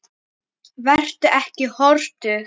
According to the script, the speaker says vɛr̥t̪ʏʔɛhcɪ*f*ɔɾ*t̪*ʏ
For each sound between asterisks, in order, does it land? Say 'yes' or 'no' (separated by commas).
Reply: no, yes